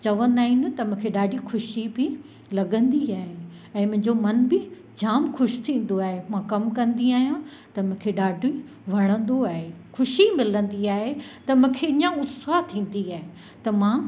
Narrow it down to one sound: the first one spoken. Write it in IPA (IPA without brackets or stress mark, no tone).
t͡ɕ